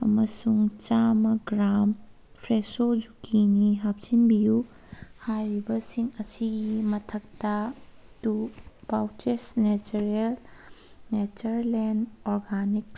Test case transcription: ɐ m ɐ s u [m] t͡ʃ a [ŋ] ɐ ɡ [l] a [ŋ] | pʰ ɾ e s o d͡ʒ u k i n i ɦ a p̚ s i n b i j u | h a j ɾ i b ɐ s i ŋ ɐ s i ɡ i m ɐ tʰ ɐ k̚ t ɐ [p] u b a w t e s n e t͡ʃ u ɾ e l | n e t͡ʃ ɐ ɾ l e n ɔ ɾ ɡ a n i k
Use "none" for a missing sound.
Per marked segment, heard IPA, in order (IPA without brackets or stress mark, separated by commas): ŋ, m, ɾ, m, t